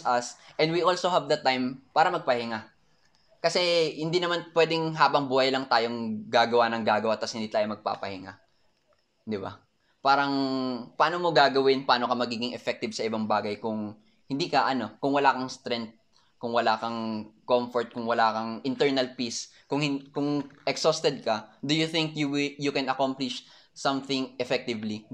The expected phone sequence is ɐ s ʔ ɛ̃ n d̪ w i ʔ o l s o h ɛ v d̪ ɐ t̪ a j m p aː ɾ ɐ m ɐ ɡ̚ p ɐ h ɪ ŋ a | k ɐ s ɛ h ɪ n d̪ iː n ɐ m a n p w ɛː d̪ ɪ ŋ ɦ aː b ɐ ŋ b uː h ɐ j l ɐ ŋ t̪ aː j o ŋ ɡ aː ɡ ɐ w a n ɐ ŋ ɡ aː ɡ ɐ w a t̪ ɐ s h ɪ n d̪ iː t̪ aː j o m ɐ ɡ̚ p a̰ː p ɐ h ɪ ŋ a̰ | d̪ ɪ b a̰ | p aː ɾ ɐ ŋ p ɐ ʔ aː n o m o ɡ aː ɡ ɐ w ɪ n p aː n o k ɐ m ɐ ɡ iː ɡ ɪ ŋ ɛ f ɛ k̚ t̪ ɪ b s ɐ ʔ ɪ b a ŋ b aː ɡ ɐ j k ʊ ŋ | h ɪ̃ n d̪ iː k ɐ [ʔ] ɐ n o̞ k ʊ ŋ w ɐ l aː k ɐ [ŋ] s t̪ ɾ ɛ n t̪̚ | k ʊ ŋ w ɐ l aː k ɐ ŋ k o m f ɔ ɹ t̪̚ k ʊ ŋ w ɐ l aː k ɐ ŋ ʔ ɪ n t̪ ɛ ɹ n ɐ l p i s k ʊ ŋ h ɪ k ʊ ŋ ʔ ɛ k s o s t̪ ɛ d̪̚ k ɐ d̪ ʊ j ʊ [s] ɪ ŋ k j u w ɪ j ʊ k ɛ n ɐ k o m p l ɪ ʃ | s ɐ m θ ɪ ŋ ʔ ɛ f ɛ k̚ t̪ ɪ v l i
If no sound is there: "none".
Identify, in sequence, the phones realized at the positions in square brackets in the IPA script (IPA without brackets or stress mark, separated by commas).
ʔ, ŋ, θ